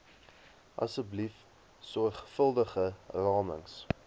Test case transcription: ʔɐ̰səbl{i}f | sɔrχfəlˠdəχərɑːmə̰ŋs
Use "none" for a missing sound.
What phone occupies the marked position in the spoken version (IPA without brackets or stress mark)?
i